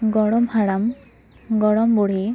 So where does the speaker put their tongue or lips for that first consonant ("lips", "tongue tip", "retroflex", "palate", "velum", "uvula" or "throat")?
velum